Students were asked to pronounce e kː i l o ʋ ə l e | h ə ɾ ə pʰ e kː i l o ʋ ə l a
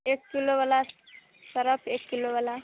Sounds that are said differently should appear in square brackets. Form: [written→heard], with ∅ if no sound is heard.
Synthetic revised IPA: e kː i l o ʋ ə l [e→a] | [h→s] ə ɾ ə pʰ e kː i l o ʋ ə l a